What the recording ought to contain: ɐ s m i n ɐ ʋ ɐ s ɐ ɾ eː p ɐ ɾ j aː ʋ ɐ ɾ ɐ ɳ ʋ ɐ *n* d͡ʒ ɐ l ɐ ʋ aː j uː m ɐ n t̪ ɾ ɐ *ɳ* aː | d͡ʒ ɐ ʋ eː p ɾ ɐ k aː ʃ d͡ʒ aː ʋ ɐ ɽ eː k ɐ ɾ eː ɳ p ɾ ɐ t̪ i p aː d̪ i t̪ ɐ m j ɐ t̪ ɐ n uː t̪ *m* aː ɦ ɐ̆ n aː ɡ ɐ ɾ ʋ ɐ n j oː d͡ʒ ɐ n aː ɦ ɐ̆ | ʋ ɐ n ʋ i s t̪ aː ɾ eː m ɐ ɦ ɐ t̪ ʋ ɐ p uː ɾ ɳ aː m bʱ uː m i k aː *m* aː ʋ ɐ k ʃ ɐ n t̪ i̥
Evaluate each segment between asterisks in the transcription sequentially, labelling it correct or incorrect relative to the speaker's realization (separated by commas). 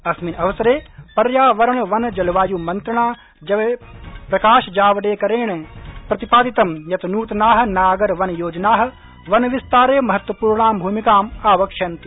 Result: correct, correct, incorrect, correct